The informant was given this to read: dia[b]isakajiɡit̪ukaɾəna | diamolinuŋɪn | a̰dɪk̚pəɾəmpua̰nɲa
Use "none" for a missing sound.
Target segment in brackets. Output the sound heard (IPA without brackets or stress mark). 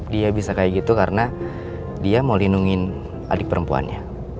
b